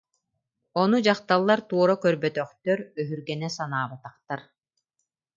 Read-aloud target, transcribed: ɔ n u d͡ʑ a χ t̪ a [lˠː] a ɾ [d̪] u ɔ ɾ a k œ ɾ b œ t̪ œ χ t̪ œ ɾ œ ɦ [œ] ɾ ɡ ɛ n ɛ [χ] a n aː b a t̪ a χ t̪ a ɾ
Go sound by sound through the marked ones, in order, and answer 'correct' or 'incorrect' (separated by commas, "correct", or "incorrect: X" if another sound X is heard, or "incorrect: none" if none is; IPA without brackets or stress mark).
correct, incorrect: t̪, incorrect: y, incorrect: s